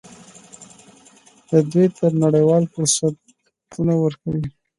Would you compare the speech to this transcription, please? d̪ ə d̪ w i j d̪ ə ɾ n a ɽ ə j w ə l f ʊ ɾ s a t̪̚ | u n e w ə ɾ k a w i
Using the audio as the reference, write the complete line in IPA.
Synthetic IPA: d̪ ə d̪ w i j t̪ ə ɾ n a ɽ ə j w ɑ l f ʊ ɾ s a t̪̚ | u n a w ə ɾ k a w i